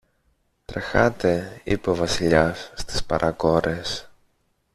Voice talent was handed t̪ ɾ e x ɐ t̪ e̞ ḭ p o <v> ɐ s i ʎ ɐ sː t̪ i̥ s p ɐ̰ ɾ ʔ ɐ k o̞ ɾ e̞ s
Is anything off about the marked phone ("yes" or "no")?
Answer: no